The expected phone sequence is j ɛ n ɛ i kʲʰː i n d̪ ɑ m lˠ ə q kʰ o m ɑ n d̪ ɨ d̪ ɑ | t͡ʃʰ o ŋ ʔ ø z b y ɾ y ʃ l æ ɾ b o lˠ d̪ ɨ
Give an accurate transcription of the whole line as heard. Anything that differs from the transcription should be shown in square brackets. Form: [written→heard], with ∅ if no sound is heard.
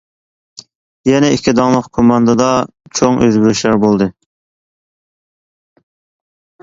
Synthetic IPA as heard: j ɛ n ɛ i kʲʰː i [n→∅] d̪ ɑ [m→ŋ] lˠ ə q kʰ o m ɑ n d̪ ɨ d̪ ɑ | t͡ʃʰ o ŋ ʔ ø z b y ɾ y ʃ l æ ɾ b o lˠ d̪ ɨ